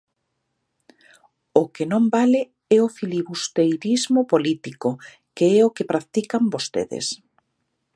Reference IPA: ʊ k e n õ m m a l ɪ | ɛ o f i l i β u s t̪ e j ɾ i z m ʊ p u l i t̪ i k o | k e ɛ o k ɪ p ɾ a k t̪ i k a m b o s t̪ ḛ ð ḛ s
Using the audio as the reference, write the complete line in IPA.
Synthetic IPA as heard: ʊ k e n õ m b a l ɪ | ɛ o f i l i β u s t̪ e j ɾ i z m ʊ p o l i t̪ i k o | k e ɛ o k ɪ p ɾ a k t̪ i k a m b o s t̪ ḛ ð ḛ s